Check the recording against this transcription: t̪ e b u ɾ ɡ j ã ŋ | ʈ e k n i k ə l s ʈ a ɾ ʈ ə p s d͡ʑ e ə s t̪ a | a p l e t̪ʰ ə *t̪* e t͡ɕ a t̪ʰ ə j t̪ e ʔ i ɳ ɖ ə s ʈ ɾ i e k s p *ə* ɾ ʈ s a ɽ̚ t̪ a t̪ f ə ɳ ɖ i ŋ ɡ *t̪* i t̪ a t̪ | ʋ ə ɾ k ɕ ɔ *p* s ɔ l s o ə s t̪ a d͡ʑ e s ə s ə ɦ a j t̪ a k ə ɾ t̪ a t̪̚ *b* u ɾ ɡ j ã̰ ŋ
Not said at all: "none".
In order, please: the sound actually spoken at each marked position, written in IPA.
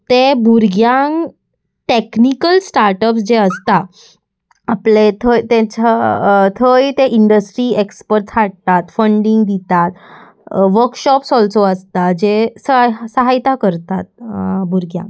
t̪, ə, d̪, p, b

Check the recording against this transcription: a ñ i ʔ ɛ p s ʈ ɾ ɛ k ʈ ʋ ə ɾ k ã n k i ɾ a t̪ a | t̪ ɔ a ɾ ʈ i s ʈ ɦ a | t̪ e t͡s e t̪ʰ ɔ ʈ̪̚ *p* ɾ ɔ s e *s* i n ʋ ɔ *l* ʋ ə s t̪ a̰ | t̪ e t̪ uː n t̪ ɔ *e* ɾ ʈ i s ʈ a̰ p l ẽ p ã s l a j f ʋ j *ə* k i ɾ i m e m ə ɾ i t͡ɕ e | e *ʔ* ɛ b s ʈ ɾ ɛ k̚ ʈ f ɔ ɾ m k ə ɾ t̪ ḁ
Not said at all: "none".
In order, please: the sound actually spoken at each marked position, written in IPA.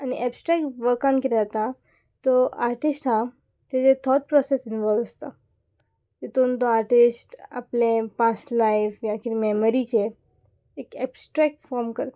p, s, l, a, a, k

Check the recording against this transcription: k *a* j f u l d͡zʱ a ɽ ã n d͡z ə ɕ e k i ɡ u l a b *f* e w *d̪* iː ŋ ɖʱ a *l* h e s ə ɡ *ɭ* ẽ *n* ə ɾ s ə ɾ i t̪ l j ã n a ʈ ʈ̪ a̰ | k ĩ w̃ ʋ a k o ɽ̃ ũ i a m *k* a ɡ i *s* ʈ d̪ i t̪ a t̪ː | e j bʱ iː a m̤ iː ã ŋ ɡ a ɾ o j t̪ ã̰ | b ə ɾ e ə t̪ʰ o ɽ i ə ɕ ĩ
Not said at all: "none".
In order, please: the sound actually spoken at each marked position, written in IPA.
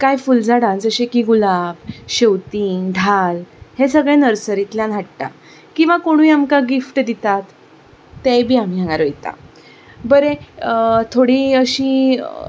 a, ɕ, t̪, l, ɭ, n, k, f

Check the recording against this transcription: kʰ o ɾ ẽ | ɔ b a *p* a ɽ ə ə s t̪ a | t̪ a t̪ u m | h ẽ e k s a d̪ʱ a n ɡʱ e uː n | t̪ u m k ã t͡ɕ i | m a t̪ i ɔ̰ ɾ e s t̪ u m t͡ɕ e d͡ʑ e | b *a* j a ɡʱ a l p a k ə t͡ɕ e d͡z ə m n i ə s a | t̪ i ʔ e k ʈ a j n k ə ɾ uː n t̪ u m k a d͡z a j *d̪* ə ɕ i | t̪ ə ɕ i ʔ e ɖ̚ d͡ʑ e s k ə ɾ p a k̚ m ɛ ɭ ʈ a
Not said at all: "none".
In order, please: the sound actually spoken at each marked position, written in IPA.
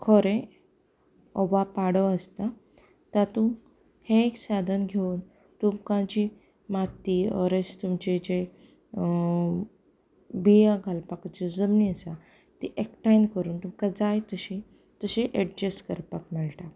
p, i, t̪

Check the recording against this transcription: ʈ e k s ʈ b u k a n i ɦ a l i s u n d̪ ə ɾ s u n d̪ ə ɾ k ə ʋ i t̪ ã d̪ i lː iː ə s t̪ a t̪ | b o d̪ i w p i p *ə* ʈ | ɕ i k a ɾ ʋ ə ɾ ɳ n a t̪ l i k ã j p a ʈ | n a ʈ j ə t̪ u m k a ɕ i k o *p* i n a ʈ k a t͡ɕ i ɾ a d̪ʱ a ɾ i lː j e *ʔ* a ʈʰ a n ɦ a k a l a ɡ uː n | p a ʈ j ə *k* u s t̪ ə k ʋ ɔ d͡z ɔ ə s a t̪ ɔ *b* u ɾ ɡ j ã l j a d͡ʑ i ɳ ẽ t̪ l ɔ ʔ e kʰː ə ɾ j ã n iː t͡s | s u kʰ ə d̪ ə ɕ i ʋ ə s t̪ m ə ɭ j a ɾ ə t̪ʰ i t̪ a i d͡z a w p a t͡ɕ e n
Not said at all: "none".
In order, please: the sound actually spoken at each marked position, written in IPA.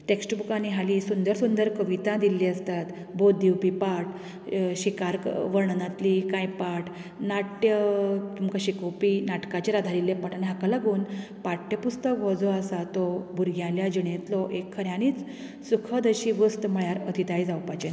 a, p, p, p, b

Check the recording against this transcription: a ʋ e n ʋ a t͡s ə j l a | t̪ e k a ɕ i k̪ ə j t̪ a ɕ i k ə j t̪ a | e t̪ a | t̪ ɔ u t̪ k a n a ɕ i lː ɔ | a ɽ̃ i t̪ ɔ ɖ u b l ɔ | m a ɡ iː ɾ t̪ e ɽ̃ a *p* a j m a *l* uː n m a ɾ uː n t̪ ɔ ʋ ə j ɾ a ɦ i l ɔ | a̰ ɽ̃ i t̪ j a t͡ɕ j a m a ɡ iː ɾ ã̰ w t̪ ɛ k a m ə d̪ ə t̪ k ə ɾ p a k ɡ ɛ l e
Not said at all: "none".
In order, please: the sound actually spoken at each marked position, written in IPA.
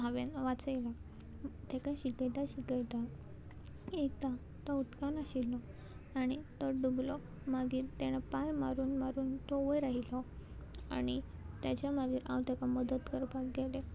p, ɾ

